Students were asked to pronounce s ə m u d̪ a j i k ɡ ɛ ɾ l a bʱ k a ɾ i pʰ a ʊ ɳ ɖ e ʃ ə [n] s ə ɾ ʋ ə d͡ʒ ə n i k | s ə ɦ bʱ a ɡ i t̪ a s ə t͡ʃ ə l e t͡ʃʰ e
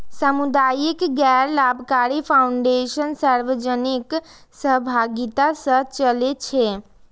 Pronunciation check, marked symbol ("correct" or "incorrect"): correct